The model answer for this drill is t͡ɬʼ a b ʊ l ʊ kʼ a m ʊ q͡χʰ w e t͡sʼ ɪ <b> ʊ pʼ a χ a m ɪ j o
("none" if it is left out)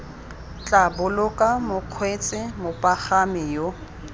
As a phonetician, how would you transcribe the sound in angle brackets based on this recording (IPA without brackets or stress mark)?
m